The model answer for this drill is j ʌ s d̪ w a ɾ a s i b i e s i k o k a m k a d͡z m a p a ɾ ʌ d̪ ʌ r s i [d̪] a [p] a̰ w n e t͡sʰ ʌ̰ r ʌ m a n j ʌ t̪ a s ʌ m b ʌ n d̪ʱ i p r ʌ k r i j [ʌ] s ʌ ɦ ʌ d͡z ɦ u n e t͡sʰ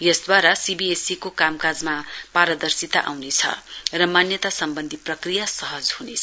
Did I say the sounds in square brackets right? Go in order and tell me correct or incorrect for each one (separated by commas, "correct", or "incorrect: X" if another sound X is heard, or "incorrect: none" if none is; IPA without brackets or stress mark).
incorrect: t̪, incorrect: ʔ, incorrect: a